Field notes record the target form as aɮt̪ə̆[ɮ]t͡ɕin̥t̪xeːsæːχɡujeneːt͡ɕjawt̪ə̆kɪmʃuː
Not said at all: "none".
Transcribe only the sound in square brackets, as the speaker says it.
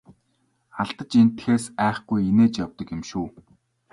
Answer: none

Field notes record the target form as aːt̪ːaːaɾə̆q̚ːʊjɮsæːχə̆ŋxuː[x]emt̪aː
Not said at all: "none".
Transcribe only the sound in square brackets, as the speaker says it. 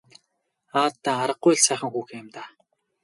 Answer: x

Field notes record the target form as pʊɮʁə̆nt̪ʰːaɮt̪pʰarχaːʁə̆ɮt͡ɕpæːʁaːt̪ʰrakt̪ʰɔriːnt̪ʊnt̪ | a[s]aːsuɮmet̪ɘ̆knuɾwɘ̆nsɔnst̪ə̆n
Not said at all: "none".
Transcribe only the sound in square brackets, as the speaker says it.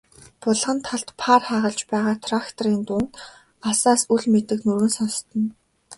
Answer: s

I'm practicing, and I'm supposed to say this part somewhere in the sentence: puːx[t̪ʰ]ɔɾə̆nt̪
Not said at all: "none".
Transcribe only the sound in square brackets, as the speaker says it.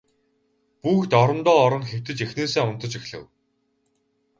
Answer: t̪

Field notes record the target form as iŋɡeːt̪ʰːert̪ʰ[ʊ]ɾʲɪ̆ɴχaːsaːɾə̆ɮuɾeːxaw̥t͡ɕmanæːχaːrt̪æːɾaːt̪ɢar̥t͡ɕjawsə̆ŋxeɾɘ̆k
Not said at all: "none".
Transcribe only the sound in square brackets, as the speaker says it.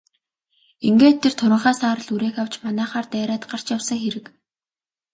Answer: ʊ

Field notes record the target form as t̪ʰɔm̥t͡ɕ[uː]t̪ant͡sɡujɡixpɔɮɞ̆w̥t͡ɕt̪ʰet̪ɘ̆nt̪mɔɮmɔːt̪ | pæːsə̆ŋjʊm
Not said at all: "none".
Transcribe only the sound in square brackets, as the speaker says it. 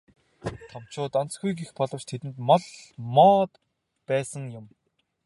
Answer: ʊː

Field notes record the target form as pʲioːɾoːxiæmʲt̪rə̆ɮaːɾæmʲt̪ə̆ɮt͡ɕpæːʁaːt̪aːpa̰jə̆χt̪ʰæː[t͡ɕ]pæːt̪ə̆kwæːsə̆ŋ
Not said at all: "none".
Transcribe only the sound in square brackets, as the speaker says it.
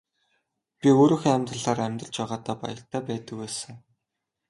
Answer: none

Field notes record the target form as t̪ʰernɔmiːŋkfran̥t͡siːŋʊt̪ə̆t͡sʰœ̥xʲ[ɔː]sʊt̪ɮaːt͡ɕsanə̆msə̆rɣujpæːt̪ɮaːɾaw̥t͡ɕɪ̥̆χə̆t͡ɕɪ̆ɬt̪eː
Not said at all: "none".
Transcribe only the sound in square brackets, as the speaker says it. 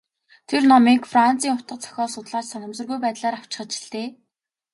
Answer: ɔː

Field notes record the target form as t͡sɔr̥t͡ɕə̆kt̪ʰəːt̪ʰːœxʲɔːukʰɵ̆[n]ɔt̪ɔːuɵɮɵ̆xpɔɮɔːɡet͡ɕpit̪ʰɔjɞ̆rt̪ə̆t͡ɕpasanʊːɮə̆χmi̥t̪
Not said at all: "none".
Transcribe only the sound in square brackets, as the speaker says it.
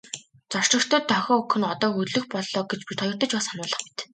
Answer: n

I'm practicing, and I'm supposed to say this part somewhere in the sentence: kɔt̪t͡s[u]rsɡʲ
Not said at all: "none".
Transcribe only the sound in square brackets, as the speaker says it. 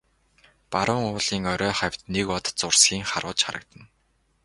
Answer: ʊ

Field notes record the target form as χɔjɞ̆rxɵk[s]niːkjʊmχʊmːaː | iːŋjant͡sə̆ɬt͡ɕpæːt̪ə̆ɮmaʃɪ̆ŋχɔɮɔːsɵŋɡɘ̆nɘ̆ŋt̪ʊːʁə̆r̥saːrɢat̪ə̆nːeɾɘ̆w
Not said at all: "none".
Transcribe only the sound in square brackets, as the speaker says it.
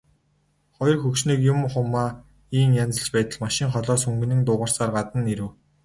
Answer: ʃ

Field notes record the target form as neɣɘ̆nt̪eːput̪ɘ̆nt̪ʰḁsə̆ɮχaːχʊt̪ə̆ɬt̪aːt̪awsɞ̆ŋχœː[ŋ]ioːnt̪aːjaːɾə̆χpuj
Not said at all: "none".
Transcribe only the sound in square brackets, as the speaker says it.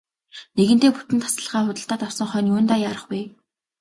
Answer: n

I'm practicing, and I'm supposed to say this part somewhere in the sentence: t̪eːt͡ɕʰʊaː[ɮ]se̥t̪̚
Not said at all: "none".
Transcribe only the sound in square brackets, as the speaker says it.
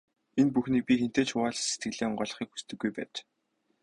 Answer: ɮ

